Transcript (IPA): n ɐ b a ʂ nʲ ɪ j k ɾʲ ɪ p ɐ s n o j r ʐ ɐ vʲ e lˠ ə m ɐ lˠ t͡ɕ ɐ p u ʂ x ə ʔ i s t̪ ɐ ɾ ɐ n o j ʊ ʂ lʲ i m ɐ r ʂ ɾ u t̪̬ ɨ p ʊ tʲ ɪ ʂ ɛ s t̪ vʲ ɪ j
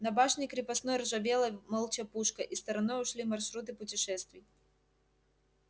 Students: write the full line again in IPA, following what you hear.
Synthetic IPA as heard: n ɐ b a ʂ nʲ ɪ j k ɾʲ ɪ p ɐ s n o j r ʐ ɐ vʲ e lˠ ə m ɐ lˠ t͡ɕ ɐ p u ʂ k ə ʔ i s t̪ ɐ ɾ ɐ n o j ʊ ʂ lʲ i m ɐ r ʂ ɾ u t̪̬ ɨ p ʊ tʲ ɪ ʂ ɛ s t̪ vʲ ɪ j

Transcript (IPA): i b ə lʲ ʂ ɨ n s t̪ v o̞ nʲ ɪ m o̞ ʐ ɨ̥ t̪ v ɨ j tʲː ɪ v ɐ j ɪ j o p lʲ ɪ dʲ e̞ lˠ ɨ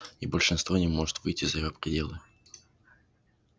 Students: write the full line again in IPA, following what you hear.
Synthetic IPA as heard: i b ə lʲ ʂ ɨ n s t̪ v o̞ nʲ ɪ m o̞ ʐ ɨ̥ t̪ v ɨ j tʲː ɪ z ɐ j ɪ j o p ɾʲ ɪ dʲ e̞ lˠ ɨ

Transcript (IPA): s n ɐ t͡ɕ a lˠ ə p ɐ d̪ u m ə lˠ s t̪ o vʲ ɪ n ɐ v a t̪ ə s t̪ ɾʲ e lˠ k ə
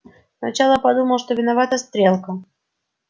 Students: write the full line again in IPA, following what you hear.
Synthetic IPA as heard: s n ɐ t͡ɕ a lˠ ə p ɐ d̪ u m ə lˠ ʂ t̪ o vʲ ɪ n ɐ v a t̪ ə s t̪ ɾʲ e lˠ k ə

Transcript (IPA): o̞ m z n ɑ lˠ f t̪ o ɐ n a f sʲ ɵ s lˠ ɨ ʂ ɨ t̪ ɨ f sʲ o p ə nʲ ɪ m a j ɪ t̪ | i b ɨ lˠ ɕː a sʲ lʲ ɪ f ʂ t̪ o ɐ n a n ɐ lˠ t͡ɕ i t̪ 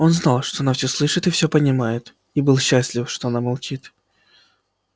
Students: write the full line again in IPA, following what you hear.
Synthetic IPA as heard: o̞ n z n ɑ lˠ ʂ t̪ o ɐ n a f sʲ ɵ s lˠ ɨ ʂ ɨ t̪ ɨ f sʲ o p ə nʲ ɪ m a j ɪ t̪ | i b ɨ lˠ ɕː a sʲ lʲ ɪ f ʂ t̪ o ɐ n a m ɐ lˠ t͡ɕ i t̪

